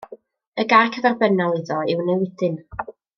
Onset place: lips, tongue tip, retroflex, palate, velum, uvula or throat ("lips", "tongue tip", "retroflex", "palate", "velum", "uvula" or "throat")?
velum